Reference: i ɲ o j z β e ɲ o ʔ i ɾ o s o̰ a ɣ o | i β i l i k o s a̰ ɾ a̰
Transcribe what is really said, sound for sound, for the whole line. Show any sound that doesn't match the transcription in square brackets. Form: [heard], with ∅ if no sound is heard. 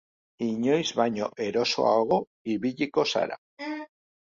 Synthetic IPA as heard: i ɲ o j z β [a] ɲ o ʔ [e] ɾ o s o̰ a ɣ o | i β i [ʎ] i k o s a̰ ɾ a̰